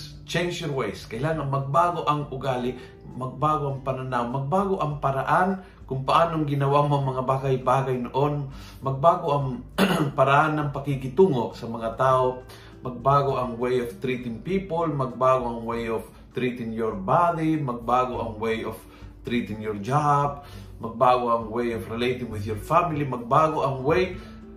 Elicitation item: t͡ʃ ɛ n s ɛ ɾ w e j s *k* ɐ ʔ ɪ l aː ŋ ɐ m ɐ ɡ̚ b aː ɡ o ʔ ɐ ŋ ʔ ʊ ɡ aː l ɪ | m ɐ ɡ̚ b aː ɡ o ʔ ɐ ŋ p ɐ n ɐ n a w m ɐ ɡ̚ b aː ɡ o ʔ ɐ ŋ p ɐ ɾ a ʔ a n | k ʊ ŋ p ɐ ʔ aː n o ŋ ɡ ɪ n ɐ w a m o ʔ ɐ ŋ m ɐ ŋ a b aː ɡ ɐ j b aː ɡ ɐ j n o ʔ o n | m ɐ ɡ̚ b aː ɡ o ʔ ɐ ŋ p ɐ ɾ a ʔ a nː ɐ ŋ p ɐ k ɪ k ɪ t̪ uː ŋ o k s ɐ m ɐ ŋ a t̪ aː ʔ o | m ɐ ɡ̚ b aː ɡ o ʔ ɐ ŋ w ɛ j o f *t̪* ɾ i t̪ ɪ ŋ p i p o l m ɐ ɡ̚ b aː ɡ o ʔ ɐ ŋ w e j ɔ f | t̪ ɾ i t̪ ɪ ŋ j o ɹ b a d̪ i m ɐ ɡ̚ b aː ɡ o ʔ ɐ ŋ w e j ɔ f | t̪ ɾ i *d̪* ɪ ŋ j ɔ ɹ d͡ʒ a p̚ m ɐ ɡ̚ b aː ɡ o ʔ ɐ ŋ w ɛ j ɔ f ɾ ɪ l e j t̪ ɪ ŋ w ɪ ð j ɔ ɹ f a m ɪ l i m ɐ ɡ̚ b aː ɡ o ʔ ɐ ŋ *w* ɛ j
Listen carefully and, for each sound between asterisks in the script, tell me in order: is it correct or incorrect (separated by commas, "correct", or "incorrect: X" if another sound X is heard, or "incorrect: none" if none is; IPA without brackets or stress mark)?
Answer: correct, correct, incorrect: t̪, correct